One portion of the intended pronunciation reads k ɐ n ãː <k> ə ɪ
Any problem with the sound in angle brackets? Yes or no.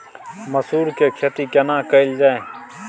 no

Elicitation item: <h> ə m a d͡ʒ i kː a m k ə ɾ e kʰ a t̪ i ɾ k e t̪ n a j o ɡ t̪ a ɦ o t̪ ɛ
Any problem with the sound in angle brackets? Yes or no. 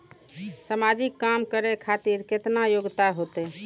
yes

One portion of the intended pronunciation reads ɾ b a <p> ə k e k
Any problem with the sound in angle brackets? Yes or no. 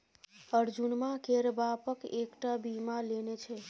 no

